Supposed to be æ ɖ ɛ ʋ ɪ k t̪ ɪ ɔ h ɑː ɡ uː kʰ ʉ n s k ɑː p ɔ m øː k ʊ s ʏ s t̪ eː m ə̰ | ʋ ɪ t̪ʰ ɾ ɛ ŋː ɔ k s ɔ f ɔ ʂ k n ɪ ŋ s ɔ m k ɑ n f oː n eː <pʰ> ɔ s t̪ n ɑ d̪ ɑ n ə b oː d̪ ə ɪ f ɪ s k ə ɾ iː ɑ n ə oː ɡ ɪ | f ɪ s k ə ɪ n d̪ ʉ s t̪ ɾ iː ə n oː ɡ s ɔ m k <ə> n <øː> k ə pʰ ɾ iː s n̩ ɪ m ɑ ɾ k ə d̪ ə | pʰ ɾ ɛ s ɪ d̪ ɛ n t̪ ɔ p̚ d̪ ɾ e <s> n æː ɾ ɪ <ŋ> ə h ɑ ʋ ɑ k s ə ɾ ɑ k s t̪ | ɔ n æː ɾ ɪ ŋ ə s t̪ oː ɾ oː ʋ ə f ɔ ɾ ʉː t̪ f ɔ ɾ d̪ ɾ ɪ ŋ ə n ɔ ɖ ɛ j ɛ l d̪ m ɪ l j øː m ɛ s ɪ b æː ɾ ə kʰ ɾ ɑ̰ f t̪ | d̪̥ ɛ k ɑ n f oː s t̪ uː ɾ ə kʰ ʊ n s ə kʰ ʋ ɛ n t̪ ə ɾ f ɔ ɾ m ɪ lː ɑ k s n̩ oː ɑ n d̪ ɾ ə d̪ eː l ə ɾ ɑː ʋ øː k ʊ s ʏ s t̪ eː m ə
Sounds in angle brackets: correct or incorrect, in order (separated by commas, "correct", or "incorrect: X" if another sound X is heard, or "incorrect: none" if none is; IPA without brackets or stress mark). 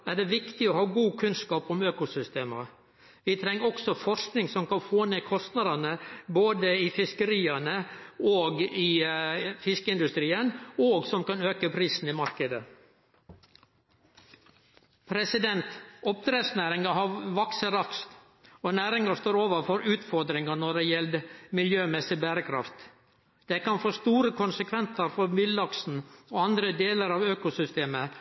incorrect: kʰ, incorrect: ɑ, correct, correct, correct